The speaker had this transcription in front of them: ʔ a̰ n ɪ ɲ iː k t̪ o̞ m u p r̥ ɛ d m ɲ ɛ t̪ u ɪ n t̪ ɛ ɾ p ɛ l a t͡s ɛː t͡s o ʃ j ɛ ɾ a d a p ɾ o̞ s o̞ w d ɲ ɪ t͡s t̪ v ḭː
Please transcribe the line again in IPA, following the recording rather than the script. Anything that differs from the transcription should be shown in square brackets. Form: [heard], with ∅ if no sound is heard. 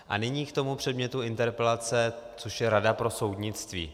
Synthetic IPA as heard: ʔ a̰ n ɪ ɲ iː k t̪ o̞ m u p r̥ ɛ d m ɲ ɛ t̪ u ɪ n t̪ ɛ ɾ p ɛ l a t͡s [ɛ] t͡s o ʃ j ɛ ɾ a d a p ɾ o̞ s o̞ w d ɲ ɪ t͡s t̪ v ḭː